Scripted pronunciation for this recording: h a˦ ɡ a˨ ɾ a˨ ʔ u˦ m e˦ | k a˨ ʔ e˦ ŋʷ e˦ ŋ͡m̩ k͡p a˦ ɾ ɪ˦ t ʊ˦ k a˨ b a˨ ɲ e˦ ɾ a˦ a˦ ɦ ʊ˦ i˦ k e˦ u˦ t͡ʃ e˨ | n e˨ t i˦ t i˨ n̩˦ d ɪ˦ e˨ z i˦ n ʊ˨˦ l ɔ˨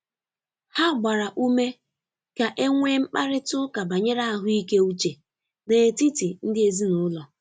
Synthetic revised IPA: h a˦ ɡ͡b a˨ ɾ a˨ ʔ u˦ m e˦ | k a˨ ʔ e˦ ŋʷ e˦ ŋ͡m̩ k͡p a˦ ɾ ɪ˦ t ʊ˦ k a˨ b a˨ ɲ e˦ ɾ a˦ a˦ ɦ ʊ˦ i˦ k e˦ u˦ t͡ʃ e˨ | n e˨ t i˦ t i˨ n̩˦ d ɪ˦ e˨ z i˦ n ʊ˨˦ l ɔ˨